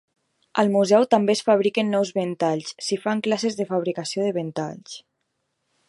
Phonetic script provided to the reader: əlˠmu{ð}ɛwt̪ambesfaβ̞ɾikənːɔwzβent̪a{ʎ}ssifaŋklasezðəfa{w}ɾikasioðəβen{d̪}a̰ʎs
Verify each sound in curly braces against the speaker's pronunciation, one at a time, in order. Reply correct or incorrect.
incorrect: z, correct, incorrect: β, incorrect: t̪

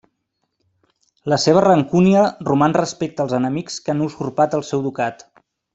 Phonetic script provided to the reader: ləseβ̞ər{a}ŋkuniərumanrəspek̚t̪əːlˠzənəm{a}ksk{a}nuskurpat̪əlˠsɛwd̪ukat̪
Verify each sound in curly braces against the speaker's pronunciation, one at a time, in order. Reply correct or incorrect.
incorrect: ə, incorrect: i, correct

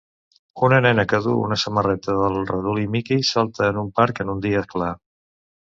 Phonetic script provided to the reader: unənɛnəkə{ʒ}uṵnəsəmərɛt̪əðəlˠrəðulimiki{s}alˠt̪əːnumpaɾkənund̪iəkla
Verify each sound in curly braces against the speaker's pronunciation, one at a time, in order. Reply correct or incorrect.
incorrect: ð, correct

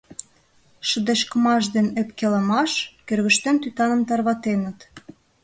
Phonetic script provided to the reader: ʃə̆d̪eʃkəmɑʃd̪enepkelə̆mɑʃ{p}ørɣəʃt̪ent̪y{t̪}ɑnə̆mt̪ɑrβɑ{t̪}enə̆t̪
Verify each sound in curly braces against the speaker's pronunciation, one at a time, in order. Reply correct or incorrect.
incorrect: k, correct, correct

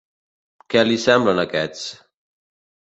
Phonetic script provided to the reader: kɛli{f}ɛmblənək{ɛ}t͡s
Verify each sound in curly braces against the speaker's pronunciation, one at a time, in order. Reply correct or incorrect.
incorrect: s, correct

